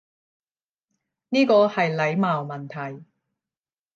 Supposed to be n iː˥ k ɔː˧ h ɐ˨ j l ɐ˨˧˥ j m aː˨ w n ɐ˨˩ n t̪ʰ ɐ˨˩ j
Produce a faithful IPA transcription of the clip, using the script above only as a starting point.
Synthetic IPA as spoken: n iː˥ k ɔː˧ h ɐ˨ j l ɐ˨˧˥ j m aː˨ w m ɐ˨˩ n t̪ʰ ɐ˨˩ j